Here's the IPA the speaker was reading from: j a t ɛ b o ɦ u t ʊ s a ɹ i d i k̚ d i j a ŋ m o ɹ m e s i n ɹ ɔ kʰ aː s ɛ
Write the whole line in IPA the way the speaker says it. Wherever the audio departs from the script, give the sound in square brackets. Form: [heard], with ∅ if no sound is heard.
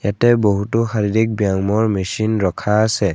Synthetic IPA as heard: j a t ɛ b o ɦ u t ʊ [x] a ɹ i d i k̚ [b] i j a ŋ m [ɔ] ɹ m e s i n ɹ ɔ kʰ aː s ɛ